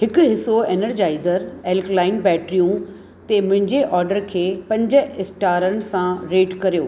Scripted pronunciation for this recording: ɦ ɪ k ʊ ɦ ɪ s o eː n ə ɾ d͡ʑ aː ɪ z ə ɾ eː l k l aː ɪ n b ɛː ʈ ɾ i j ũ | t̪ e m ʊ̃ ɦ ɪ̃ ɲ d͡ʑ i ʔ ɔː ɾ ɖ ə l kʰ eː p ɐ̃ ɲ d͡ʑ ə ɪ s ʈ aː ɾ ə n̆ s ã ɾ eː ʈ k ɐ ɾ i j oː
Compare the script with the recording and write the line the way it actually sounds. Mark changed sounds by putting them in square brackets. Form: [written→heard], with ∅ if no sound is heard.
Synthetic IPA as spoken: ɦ ɪ k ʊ ɦ ɪ s o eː n ə ɾ d͡ʑ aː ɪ z ə ɾ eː l k l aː ɪ n b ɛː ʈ ɾ i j ũ | t̪ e m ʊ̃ ɦ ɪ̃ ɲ d͡ʑ [i→e] ʔ ɔː ɾ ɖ ə [l→ɾ] kʰ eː p ɐ̃ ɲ d͡ʑ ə ɪ s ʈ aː ɾ ə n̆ s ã ɾ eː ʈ k ɐ ɾ i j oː